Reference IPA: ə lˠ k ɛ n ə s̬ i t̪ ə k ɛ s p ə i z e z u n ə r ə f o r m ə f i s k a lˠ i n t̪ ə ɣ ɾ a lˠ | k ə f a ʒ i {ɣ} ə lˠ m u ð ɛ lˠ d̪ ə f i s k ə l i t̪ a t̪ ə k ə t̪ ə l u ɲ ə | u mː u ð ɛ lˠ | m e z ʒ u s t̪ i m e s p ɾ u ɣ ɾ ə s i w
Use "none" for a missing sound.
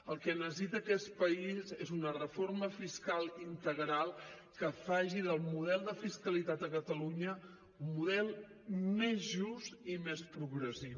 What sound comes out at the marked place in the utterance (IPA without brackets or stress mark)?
ð